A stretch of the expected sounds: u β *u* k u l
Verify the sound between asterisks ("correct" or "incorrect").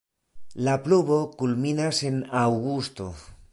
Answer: incorrect